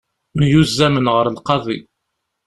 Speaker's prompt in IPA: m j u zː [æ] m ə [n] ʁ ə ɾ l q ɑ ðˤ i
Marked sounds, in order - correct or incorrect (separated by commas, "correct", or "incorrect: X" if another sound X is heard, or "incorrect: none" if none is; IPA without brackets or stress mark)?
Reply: correct, correct